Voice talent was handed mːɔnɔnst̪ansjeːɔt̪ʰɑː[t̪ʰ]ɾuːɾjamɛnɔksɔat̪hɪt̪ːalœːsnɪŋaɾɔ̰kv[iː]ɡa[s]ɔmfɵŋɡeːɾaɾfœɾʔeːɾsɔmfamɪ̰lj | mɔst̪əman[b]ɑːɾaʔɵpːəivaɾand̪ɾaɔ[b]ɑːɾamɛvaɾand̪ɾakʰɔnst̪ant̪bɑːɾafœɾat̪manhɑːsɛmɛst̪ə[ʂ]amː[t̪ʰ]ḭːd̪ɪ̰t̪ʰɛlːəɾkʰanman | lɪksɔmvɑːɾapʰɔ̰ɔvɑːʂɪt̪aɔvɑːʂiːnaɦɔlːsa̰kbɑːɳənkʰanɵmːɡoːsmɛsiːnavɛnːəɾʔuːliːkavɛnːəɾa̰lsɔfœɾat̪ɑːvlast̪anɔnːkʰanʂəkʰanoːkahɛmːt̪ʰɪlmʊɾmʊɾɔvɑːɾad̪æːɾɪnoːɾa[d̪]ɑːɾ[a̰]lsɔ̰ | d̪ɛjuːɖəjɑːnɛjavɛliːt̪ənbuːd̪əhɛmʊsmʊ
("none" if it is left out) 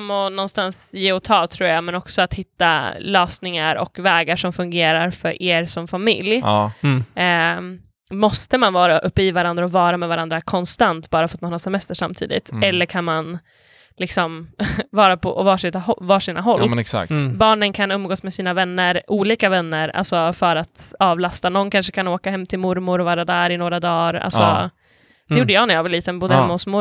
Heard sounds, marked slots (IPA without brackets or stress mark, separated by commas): t̪ʰ, ɛː, ʂ, v, v, ʂ, t̪ʰ, d̪, a̰